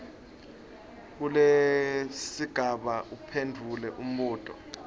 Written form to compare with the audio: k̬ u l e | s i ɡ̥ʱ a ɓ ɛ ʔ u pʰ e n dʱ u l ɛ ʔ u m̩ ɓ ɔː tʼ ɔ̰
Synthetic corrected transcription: k̬ u l e | s i ɡ̥ʱ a ɓ a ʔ u pʰ e n dʱ u l ɛ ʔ u m̩ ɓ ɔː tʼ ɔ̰